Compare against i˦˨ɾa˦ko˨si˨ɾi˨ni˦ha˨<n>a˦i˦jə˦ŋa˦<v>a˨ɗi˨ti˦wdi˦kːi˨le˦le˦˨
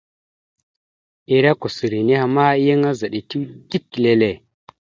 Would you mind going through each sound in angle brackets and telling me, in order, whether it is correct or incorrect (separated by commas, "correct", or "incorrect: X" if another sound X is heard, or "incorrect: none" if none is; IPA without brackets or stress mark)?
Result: incorrect: m, incorrect: z